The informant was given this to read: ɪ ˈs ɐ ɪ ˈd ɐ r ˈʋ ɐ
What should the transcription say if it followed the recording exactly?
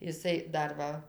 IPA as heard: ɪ ˈs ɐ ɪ ˈd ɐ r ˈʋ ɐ